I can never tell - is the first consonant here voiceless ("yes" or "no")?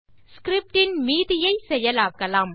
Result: yes